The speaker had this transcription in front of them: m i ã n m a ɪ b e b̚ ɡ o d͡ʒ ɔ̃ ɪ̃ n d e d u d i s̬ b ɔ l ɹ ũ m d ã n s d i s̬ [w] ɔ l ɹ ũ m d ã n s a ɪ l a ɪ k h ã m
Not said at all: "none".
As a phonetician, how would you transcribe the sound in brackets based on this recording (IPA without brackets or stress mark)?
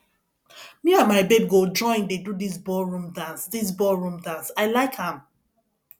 b